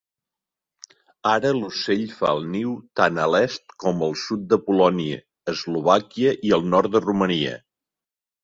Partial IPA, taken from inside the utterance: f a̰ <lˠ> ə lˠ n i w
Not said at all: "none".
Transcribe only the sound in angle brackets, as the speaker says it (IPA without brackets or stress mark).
none